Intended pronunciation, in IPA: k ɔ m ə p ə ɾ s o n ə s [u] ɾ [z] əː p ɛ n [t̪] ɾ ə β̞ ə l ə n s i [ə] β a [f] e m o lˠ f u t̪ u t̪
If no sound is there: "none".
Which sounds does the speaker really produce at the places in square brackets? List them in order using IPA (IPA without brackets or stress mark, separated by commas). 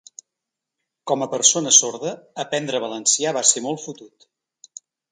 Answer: o, ð, d̪, a, s